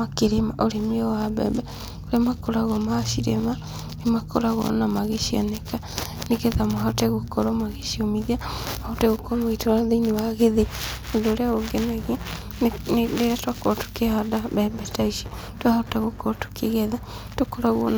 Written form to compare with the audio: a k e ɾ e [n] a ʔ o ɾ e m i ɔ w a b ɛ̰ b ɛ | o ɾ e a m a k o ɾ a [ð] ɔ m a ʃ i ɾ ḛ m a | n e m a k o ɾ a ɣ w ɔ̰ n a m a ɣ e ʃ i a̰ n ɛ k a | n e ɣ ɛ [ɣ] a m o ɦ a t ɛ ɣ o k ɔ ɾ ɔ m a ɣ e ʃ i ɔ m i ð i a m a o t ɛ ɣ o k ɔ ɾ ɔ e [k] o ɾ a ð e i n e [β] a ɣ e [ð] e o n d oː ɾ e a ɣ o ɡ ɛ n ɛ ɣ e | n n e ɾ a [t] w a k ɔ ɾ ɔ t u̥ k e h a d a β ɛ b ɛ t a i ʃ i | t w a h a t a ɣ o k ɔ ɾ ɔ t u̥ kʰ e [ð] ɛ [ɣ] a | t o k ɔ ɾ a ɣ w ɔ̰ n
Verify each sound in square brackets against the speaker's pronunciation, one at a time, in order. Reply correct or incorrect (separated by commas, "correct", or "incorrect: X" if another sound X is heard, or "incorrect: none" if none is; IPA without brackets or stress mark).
incorrect: m, incorrect: ɣ, incorrect: ð, incorrect: t, incorrect: w, correct, correct, incorrect: ɣ, incorrect: ð